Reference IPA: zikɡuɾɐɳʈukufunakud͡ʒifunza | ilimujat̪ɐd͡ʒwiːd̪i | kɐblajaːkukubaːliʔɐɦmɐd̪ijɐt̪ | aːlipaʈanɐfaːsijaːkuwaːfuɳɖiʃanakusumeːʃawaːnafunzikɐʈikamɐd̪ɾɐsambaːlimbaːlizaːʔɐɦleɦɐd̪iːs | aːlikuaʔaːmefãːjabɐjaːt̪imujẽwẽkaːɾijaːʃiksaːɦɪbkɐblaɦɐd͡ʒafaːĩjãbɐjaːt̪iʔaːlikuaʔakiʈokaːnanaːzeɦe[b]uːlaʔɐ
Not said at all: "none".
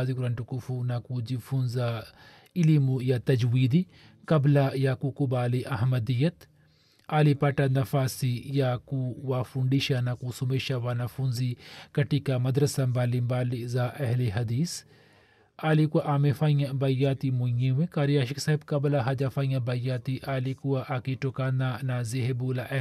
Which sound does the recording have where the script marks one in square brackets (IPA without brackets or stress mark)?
b